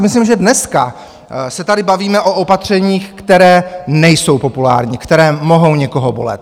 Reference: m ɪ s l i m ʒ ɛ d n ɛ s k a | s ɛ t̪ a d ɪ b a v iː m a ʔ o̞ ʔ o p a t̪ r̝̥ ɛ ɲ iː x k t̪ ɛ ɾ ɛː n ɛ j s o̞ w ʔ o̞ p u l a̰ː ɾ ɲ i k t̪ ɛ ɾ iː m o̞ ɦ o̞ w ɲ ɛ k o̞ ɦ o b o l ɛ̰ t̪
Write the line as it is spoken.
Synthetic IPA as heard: m ɪ s l i m ʒ ɛ d n ɛ s k a | s ɛ t̪ a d ɪ b a v iː m ɛ ʔ o̞ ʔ o p a t̪ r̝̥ ɛ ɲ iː x k t̪ ɛ ɾ ɛː n ɛ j s o̞ w p o̞ p u l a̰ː ɾ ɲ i k t̪ ɛ ɾ ɛː m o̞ ɦ o̞ w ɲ ɛ k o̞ ɦ o b o l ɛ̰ t̪